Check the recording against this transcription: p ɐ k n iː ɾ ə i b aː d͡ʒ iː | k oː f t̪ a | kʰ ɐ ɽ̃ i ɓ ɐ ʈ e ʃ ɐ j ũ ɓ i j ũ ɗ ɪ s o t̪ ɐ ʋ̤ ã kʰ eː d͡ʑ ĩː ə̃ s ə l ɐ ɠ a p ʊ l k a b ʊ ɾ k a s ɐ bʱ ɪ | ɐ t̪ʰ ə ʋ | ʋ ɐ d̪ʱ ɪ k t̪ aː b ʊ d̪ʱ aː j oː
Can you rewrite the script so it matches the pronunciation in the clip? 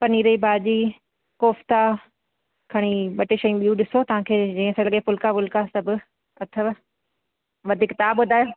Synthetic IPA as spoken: p ɐ n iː ɾ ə i b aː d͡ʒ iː | k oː f t̪ a | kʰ ɐ ɽ̃ i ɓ ɐ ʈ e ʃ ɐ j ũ ɓ i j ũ ɗ ɪ s o t̪ ɐ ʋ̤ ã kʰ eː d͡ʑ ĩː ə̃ s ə l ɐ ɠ e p ʊ l k a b ʊ l k a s ɐ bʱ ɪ | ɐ t̪ʰ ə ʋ | ʋ ɐ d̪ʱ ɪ k t̪ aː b ʊ d̪ʱ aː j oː